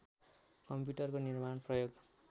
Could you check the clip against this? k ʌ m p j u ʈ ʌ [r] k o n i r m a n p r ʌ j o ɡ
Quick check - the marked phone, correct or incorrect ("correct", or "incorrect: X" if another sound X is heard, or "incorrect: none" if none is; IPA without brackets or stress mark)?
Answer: correct